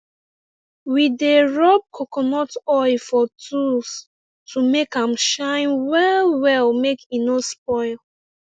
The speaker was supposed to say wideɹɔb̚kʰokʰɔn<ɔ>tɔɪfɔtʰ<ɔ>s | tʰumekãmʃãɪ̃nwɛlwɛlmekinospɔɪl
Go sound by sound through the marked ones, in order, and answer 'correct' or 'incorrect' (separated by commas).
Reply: correct, incorrect